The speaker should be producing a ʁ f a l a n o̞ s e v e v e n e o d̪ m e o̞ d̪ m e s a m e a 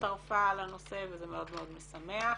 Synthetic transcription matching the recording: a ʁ f a l a n o̞ s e v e z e m e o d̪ m e o̞ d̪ m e s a m e a